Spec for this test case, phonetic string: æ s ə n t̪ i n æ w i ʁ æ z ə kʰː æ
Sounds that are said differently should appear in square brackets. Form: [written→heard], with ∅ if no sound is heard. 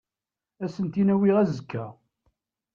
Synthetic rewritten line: æ s ə n t̪ i n æ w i ʁ æ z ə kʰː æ